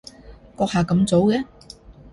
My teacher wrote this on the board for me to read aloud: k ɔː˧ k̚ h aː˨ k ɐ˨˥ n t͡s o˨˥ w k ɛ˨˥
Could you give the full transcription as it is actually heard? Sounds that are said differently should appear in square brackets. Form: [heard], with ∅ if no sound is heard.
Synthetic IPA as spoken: k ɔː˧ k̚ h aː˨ k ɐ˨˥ [m] t͡s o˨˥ w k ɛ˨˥